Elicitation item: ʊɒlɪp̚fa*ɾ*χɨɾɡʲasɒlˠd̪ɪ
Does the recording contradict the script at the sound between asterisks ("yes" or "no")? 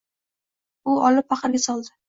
yes